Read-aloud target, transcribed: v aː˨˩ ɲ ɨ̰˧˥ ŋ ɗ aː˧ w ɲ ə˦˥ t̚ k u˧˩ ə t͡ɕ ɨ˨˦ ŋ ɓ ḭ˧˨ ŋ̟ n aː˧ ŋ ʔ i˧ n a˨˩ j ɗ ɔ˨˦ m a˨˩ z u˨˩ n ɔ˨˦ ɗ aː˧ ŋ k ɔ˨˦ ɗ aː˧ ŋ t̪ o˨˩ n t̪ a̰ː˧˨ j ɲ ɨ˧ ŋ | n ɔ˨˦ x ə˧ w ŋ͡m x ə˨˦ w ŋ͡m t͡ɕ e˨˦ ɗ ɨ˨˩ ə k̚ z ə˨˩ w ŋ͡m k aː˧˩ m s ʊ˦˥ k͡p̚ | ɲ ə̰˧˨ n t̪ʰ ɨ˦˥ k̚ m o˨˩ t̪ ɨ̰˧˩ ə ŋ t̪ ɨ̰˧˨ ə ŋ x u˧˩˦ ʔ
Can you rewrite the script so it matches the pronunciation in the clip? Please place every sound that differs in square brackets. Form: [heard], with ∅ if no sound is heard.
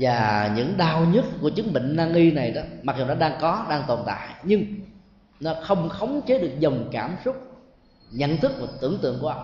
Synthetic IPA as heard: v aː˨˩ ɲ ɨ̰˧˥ ŋ ɗ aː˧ w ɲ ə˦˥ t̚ k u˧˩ ə t͡ɕ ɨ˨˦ ŋ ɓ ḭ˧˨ ŋ̟ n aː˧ ŋ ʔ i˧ n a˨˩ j ɗ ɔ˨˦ m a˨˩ z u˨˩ n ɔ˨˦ ɗ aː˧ ŋ k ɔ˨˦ ɗ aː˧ ŋ t̪ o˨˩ n t̪ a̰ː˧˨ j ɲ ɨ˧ ŋ | n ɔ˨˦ x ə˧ w ŋ͡m x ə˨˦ w ŋ͡m t͡ɕ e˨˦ ɗ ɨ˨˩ ə k̚ z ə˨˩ w ŋ͡m k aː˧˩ m s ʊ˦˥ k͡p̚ | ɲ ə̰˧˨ n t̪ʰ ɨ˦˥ k̚ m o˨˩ t̪ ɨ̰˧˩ ə ŋ t̪ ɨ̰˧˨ ə ŋ [k] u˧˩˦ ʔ